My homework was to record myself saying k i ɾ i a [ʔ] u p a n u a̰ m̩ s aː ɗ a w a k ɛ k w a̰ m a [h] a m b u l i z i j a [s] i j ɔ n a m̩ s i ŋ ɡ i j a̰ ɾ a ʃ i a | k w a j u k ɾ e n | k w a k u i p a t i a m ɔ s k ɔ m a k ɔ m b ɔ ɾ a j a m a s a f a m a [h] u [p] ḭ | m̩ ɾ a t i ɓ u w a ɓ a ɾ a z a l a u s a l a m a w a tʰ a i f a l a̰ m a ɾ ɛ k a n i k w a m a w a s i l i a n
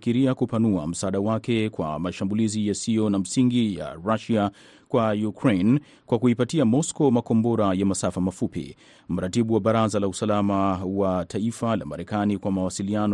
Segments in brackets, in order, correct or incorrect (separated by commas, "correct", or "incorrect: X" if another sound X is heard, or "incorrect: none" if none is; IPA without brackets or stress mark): incorrect: k, incorrect: ʃ, correct, incorrect: f, correct